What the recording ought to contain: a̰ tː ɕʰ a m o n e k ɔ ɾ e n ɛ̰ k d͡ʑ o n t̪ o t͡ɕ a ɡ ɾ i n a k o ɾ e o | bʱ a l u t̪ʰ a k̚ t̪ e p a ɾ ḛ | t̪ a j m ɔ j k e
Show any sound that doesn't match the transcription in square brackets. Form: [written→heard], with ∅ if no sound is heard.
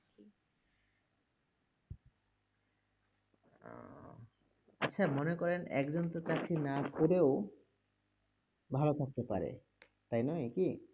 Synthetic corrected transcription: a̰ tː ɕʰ a m o n e k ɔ ɾ e n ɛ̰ k d͡ʑ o n t̪ o t͡ɕ a [ɡ→k] ɾ i n a k o ɾ e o | bʱ a l [u→o] t̪ʰ a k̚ t̪ e p a ɾ ḛ | t̪ a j [m→n] ɔ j k [e→i]